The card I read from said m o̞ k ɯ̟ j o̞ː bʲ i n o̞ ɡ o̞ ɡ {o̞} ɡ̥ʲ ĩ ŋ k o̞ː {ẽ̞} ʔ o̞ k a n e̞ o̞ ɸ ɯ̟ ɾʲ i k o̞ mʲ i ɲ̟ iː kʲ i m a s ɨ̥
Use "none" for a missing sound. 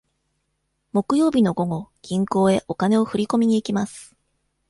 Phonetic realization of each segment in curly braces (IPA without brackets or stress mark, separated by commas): o̞, e̞